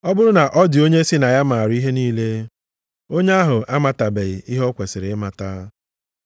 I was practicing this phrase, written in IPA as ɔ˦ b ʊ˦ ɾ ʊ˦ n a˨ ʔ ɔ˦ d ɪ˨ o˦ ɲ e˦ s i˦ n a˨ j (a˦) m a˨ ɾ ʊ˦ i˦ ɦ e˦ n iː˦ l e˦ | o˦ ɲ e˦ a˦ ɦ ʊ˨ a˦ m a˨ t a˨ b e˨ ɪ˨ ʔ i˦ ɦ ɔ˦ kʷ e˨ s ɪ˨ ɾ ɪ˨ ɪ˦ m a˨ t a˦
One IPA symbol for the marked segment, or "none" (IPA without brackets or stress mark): a˦